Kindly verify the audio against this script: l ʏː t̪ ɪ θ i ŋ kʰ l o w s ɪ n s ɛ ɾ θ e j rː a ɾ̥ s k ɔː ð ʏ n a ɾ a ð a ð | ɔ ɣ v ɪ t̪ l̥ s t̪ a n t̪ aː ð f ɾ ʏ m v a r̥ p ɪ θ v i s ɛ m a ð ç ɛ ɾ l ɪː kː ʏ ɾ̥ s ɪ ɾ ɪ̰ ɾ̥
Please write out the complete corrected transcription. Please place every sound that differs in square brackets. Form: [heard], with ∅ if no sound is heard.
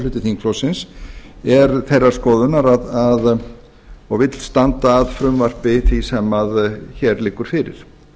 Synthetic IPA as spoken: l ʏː t̪ ɪ θ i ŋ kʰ l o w s ɪ n s ɛ ɾ θ e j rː a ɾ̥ s k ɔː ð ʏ n a ɾ a ð a ð | ɔ ɣ v ɪ t̪ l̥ s t̪ a n t̪ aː ð f ɾ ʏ m v a r̥ p ɪ θ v i s ɛ m a ð ç ɛ ɾ l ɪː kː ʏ ɾ̥ [f] ɪ ɾ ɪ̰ ɾ̥

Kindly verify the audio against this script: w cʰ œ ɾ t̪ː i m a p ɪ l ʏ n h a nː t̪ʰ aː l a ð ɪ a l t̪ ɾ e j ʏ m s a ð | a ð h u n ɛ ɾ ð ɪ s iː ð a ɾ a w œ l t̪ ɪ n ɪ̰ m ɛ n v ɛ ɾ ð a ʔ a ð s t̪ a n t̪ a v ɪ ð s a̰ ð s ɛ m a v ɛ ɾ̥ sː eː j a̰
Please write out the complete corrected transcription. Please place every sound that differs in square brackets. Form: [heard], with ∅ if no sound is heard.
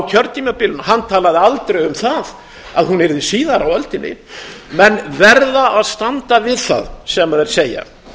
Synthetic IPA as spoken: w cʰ œ ɾ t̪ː i m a p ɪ l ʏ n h a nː t̪ʰ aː l a ð ɪ a l t̪ ɾ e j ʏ m [θ] a ð | a ð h u n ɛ ɾ ð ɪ s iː ð a ɾ a w œ l t̪ ɪ n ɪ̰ m ɛ n v ɛ ɾ ð a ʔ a ð s t̪ a n t̪ a v ɪ ð [θ] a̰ ð s ɛ m a [ð] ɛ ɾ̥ [s] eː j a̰

